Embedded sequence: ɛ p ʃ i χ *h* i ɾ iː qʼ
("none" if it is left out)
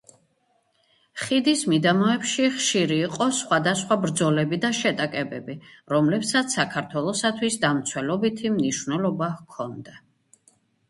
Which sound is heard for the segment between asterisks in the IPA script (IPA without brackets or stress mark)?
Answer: ʃ